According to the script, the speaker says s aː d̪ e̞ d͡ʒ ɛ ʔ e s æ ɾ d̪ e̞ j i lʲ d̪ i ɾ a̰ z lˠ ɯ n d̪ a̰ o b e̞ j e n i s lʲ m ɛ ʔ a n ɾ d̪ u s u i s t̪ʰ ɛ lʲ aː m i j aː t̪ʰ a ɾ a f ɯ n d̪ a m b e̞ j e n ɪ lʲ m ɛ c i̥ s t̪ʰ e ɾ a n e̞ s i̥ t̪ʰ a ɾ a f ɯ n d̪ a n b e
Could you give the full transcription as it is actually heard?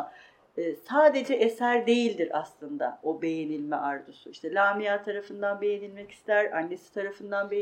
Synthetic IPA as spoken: s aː d̪ e̞ d͡ʒ ɛ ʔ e s æ ɾ d̪ e̞ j i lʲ d̪ i ɾ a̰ s lˠ ɯ n d̪ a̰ o b e̞ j e n i lʲ m ɛ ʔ a ɾ d̪ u s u i ʃ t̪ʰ ɛ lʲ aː m i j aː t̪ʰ a ɾ a f ɯ n d̪ a n b e̞ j e n i lʲ m ɛ c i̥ s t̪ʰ æ ɾ a nː e̞ s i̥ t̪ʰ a ɾ a f ɯ n d̪ a n b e